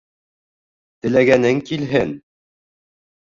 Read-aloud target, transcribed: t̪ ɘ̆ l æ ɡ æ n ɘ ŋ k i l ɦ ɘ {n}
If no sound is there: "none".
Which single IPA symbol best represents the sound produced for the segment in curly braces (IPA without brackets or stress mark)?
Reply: n